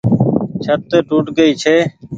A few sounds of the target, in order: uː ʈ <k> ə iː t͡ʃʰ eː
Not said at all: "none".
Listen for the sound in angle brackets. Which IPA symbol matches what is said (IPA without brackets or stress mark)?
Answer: ɡ